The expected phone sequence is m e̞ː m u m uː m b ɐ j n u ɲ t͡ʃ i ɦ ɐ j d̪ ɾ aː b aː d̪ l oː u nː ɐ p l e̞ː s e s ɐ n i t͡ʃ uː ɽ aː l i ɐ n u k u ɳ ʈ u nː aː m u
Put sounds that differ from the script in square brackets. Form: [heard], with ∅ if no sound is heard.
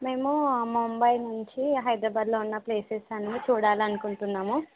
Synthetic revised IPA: m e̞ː m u m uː m b ɐ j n u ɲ t͡ʃ i ɦ ɐ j d̪ ɾ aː b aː d̪ l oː u nː ɐ p l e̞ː s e s ɐ n i t͡ʃ uː ɽ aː l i ɐ n u k u ɳ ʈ u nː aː m u